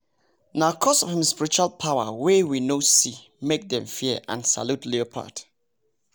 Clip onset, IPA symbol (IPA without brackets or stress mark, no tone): n